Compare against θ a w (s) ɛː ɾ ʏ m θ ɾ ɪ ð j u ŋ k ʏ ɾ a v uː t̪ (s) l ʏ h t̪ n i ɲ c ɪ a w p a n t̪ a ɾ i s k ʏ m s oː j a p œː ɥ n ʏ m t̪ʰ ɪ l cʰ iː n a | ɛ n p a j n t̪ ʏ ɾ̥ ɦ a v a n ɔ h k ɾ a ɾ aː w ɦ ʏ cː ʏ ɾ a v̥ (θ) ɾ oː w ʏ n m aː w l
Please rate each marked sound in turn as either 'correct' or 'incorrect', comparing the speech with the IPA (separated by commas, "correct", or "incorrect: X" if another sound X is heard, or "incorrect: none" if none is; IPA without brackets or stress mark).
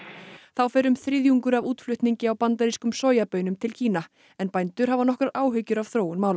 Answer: incorrect: f, incorrect: f, correct